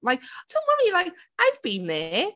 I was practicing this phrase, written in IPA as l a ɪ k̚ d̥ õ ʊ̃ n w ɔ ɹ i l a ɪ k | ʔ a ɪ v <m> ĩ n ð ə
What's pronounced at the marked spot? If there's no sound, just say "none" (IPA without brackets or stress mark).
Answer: b